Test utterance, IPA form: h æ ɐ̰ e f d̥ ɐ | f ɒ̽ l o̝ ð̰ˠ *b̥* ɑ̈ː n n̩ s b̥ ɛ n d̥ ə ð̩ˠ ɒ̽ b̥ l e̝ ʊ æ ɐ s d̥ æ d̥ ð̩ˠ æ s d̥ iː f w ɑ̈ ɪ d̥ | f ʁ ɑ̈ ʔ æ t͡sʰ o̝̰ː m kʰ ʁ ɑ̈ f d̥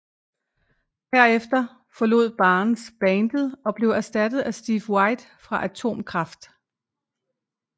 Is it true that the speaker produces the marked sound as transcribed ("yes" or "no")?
yes